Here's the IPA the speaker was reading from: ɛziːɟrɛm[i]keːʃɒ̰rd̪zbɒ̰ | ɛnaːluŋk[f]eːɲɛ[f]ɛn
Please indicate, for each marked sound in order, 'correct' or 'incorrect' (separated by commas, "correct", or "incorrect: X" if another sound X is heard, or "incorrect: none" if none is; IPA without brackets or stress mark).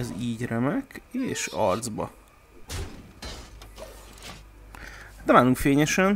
incorrect: ɛ, correct, incorrect: ʃ